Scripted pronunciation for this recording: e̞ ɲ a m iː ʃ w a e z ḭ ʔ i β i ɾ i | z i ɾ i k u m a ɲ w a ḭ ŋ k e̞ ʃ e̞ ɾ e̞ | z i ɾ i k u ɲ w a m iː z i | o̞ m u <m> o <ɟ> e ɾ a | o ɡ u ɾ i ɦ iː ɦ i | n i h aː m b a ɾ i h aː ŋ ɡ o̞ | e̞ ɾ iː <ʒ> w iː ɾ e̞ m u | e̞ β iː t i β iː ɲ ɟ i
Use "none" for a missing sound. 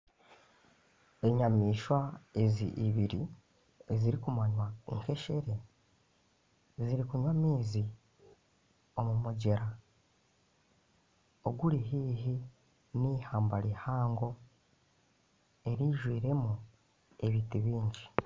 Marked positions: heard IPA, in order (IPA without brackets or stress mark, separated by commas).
m, ɟ, ʒ